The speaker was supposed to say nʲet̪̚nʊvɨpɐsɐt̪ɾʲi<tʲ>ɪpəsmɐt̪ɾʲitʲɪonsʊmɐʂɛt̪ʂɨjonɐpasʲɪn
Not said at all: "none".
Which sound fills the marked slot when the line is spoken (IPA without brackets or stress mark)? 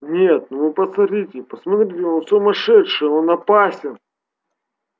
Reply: tʲ